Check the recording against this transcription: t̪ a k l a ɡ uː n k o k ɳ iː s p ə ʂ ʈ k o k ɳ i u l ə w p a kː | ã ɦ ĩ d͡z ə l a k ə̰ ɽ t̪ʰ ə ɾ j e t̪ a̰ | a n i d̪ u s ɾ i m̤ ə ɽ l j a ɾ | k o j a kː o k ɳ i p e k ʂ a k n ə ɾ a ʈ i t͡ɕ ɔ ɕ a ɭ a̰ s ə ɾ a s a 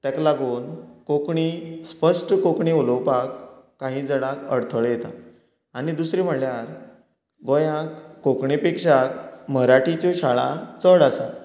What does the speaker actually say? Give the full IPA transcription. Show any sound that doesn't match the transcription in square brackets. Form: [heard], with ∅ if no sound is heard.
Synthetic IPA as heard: t̪ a k l a ɡ uː n k o k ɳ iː s p ə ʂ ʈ k o k ɳ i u l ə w p a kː | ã ɦ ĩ d͡z ə [ɽ] a k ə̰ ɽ t̪ʰ ə [ɭ] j e t̪ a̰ | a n i d̪ u s ɾ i m̤ ə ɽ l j a ɾ | [ɡ] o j a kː o k ɳ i p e k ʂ a k [m] ə ɾ a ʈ i t͡ɕ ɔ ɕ a ɭ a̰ [t͡s] ə [ɽ] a s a